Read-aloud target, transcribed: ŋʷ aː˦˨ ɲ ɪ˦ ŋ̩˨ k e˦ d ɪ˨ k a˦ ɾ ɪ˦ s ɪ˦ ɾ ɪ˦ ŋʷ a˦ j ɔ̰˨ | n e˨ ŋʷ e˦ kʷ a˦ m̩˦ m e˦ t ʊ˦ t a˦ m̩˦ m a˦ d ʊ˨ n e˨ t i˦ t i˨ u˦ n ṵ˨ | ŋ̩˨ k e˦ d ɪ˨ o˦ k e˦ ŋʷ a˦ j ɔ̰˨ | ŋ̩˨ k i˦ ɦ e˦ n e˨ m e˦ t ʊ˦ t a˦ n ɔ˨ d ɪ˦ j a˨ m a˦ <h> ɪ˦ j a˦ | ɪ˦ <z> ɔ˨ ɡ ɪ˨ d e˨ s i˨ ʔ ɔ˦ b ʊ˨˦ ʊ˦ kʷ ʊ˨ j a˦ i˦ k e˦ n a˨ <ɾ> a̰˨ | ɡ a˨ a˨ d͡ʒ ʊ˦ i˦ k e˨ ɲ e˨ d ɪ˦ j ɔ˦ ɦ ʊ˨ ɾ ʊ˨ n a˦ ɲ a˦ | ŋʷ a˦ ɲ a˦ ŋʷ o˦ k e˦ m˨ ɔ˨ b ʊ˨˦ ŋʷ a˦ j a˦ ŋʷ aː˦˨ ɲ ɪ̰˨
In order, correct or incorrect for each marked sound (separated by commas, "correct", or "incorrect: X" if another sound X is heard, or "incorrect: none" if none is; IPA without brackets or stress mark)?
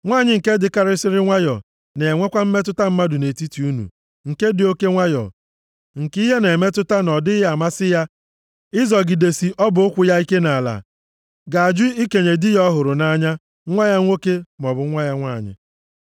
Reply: incorrect: s, correct, incorrect: l